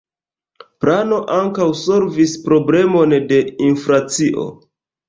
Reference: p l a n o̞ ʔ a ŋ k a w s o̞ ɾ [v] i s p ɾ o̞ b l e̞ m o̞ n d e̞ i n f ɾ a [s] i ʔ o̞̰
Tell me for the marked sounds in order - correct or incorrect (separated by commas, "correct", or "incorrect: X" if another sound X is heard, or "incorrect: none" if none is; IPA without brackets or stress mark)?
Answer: correct, incorrect: t͡s